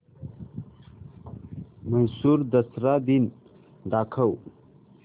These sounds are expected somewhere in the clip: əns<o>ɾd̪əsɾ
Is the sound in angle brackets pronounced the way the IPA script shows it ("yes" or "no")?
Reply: no